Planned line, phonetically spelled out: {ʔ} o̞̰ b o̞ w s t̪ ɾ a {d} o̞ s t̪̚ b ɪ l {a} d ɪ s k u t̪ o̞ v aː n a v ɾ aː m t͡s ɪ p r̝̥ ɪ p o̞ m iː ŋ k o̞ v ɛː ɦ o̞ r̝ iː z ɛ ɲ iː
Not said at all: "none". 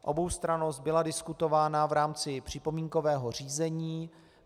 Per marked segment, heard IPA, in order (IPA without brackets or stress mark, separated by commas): ʔ, n, a